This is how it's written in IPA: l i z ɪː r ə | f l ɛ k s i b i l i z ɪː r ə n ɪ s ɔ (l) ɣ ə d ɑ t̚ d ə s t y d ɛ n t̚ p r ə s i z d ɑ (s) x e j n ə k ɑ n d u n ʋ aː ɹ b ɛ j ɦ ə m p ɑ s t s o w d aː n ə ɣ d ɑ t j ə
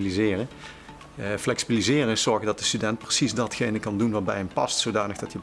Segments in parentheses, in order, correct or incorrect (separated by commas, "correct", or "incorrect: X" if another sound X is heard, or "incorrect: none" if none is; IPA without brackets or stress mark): incorrect: ɹ, incorrect: t